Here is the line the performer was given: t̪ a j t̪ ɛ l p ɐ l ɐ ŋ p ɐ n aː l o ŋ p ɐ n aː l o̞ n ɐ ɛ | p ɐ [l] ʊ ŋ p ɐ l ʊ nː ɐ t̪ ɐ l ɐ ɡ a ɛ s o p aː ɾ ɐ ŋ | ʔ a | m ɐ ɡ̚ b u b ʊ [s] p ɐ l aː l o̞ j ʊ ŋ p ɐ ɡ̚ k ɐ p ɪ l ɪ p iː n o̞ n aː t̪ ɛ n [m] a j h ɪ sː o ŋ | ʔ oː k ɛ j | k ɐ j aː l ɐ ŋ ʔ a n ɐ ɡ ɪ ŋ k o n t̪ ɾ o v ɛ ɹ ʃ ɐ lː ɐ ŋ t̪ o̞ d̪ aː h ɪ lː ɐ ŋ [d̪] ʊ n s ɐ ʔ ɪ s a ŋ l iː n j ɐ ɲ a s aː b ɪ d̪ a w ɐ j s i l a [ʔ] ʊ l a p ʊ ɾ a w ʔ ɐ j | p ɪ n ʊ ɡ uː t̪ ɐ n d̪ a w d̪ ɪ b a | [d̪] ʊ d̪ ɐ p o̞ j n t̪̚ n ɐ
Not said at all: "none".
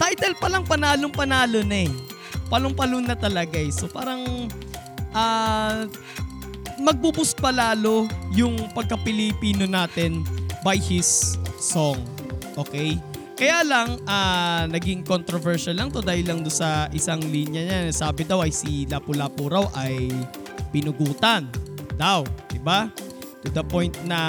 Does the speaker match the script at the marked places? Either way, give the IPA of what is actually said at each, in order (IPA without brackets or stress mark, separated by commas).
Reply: l, s, b, d̪, p, t̪